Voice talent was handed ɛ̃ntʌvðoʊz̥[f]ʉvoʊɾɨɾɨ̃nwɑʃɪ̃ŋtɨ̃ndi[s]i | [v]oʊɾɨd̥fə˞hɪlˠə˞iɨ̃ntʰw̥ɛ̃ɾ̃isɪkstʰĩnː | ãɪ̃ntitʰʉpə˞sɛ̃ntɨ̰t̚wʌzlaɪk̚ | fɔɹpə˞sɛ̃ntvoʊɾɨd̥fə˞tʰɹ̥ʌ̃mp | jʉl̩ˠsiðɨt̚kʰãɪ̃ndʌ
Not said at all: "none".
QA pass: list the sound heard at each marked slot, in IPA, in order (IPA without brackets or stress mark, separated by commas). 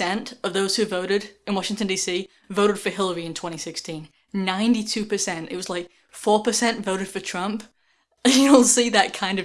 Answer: h, s, v